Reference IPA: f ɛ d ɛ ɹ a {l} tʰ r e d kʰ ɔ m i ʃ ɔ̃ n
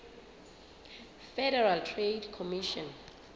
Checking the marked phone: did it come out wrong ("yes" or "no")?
no